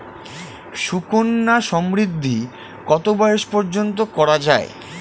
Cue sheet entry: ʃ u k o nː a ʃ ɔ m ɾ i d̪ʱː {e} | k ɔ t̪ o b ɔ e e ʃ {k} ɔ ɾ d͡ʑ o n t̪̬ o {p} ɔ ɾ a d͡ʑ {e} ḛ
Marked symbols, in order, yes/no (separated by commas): no, no, no, no